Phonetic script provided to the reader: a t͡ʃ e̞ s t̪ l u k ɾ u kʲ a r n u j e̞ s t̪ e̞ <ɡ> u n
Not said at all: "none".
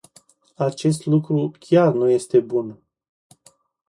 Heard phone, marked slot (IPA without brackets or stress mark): b